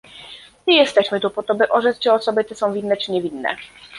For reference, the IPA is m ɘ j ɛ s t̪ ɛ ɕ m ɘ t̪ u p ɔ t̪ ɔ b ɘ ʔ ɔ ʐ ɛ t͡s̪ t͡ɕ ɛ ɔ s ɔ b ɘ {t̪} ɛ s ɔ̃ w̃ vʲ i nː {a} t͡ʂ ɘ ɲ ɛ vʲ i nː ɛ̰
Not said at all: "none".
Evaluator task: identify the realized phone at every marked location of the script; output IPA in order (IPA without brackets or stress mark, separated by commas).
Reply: t̪, ɛ